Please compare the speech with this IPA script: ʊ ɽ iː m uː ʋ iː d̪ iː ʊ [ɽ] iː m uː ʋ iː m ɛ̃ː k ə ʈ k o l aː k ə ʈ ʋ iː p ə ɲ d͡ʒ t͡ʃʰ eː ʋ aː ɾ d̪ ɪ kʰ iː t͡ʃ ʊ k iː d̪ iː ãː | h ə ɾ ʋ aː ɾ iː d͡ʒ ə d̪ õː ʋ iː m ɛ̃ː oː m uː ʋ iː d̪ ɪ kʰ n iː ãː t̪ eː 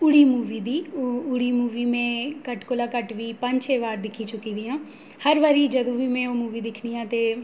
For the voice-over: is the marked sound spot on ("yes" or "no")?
yes